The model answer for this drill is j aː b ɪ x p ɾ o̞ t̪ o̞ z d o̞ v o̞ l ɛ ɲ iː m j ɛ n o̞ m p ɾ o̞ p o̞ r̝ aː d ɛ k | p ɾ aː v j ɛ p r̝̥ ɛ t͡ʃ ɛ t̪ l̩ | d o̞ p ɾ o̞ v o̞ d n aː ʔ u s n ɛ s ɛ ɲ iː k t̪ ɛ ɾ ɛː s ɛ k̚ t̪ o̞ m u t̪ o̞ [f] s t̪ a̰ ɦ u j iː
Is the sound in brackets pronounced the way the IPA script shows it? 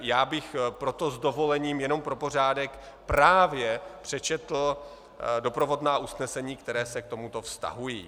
yes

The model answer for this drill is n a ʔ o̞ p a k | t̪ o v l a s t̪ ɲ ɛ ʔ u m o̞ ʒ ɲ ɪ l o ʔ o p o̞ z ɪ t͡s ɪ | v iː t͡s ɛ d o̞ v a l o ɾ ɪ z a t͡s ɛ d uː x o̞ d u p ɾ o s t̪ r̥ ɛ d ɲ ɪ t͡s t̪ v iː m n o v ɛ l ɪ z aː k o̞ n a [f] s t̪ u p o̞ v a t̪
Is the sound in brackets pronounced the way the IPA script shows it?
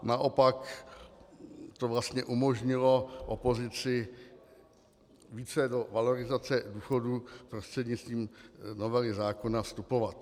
yes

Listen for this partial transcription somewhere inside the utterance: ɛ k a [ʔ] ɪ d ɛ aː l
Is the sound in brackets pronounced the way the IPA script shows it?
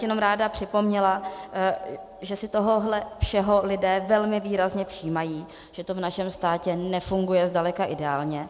yes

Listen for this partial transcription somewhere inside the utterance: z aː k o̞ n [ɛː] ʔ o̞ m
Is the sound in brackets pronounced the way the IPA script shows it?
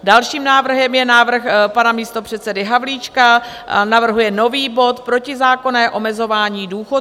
yes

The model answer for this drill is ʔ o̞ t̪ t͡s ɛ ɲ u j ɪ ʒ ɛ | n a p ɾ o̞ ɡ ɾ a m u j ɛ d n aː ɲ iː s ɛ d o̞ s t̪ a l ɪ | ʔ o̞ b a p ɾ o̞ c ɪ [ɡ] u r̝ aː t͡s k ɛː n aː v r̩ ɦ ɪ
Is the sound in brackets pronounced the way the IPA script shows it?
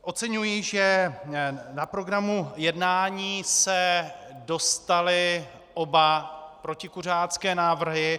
no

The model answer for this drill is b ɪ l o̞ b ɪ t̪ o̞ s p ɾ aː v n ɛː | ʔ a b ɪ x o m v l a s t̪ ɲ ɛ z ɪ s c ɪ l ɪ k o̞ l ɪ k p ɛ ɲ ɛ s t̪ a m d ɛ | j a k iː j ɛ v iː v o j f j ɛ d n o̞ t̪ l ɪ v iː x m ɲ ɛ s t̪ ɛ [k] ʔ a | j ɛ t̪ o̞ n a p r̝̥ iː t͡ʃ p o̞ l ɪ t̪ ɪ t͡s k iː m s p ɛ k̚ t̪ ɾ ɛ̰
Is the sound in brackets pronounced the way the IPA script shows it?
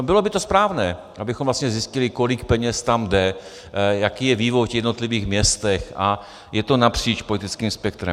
no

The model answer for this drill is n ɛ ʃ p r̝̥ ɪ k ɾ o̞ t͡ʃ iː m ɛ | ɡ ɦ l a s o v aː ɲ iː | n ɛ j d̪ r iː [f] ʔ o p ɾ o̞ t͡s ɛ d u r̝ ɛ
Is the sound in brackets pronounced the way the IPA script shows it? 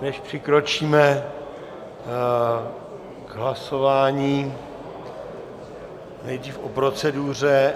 yes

